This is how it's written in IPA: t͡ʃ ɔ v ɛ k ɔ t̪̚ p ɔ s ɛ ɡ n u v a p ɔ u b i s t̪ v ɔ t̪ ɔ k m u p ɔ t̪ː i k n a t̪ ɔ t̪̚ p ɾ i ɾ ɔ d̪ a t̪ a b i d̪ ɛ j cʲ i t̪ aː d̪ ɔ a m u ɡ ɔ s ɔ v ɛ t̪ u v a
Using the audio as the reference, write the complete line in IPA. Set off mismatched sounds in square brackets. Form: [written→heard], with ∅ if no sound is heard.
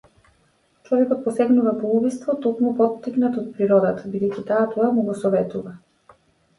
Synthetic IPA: t͡ʃ ɔ v ɛ k ɔ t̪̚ p ɔ s ɛ ɡ n u v a p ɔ u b i s t̪ v ɔ t̪ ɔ k m u p ɔ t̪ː i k n a t̪ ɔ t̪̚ p ɾ i ɾ ɔ d̪ a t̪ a b i d̪ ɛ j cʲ i t̪ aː [d̪→t̪] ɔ a m u ɡ ɔ s ɔ v ɛ t̪ u v a